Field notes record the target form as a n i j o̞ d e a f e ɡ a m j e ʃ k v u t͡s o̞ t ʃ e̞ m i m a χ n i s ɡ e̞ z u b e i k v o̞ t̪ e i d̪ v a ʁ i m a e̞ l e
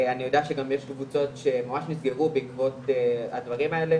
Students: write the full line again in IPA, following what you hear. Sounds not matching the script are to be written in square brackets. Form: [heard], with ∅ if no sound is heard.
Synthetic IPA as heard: a n i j o̞ d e a [ʃ] e ɡ a m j e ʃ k v u t͡s o̞ t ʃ e̞ m [a] m a [ʃ] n i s ɡ e̞ [ʁ] u b e i k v o̞ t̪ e [a] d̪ v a ʁ i m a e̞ l e

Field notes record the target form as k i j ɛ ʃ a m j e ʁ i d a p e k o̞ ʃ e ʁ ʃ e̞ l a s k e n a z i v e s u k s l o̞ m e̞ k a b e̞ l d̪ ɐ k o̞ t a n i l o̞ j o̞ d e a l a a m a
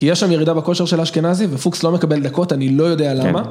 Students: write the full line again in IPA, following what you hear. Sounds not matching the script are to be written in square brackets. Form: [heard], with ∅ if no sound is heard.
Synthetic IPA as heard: k i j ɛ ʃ a m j e ʁ i d a [b] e k o̞ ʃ e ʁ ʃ e̞ l a [ʃ] k e n a z i v e [f] u k s l o̞ m e̞ k a b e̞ l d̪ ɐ k o̞ t a n i l o̞ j o̞ d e a l a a m a

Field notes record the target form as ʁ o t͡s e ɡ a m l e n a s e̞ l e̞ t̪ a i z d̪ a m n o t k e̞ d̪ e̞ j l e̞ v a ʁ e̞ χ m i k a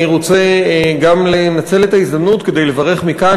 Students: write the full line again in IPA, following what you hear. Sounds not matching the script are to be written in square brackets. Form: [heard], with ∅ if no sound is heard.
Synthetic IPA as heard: ʁ o t͡s e ɡ a m l e n a [t͡s] e̞ l e̞ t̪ a i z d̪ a m n [u] t k e̞ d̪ e̞ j l e̞ v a ʁ e̞ χ m i k a

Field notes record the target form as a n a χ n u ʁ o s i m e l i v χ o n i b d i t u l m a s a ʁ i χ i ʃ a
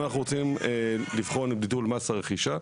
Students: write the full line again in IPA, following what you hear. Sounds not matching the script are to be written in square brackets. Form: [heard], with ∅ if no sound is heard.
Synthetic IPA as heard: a n a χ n u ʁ o [t͡s] i m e l i v χ o n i b d i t u l m a s a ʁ [e] χ i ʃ a

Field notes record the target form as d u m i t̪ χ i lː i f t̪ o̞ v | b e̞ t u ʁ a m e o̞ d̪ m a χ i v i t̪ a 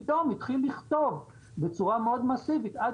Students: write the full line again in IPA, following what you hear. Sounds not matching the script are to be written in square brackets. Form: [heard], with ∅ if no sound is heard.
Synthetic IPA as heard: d [o] m i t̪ χ i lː i [χ] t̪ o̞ v | b e̞ [t͡s] u ʁ a m e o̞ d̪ m a [s] i v i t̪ a

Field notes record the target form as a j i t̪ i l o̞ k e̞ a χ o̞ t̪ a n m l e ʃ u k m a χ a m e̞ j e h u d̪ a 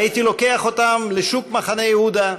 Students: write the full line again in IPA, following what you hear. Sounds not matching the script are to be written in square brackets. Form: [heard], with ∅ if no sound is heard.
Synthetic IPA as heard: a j i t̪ i l o̞ k e̞ a χ o̞ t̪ a [∅] m l e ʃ u k m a χ a [n] e̞ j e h u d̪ a

